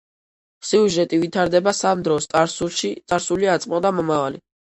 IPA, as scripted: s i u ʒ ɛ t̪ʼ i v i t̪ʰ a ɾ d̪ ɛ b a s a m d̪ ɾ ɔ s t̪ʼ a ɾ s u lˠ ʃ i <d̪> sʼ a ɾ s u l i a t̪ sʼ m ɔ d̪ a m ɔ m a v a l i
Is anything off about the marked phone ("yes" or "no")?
yes